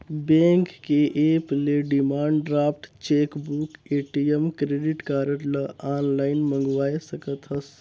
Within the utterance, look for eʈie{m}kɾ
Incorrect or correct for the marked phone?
correct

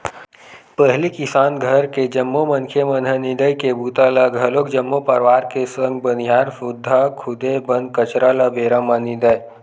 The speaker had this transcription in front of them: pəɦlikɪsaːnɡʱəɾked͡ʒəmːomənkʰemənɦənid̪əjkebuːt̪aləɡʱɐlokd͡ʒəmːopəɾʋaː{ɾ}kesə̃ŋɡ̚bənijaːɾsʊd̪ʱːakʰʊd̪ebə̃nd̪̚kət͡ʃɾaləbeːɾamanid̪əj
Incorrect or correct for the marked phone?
correct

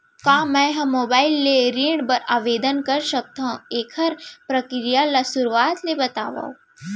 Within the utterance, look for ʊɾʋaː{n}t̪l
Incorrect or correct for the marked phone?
incorrect: none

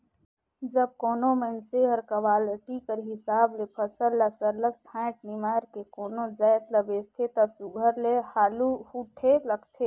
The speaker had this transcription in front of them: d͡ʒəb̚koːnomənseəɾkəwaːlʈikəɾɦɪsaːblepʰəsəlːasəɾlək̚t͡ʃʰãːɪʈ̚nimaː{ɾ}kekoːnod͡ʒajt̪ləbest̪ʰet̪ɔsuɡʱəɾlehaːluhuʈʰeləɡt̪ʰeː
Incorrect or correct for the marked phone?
correct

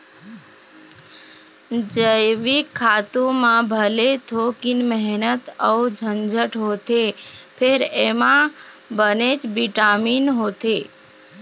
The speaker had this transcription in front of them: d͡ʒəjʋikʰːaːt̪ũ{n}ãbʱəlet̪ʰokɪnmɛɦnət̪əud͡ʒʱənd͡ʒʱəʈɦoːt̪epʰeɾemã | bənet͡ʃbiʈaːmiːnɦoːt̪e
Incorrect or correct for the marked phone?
incorrect: m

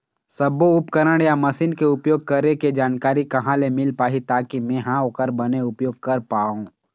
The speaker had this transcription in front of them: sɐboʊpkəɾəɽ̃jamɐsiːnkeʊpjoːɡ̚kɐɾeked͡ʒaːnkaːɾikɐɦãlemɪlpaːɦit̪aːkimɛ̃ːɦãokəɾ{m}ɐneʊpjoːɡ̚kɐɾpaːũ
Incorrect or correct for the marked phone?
incorrect: b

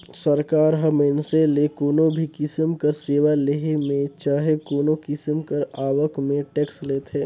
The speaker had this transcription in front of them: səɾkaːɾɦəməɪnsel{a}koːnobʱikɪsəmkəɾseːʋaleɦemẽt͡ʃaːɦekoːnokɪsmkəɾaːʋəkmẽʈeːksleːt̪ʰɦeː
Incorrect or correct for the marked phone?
incorrect: e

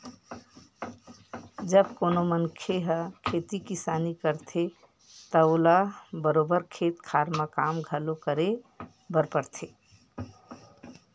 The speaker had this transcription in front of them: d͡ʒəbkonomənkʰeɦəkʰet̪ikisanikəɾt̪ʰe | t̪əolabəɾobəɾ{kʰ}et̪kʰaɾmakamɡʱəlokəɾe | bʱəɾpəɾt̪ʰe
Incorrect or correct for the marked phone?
correct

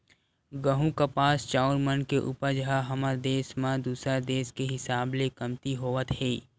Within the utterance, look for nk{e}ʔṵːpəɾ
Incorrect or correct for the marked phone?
correct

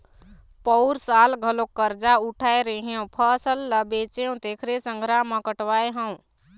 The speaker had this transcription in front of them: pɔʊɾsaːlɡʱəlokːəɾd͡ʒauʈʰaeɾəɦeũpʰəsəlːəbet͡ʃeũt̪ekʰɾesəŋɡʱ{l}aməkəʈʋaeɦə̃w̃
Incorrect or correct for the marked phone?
incorrect: ɾ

